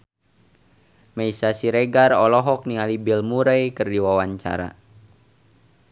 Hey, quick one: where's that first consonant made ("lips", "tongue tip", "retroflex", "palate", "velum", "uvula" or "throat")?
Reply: lips